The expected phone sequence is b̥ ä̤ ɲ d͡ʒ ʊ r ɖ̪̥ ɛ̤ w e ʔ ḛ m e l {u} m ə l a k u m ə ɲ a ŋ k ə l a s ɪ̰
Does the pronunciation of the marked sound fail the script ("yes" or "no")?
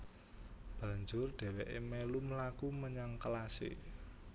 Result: no